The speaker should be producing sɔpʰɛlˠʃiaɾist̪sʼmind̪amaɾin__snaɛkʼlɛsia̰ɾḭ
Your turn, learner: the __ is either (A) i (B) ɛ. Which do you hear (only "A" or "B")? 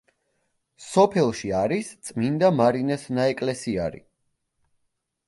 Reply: B